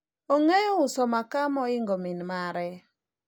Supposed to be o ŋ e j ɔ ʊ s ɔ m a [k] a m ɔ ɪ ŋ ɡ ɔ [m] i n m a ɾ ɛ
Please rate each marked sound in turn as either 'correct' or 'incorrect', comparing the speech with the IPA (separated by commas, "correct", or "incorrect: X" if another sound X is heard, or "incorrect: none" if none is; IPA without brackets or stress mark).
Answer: correct, correct